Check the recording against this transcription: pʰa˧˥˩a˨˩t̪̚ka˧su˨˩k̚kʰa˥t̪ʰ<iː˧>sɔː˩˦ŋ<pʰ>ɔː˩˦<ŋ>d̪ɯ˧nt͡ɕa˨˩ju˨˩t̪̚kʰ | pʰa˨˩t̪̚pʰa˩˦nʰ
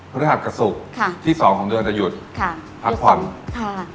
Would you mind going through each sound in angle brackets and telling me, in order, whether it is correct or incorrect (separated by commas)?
incorrect, incorrect, correct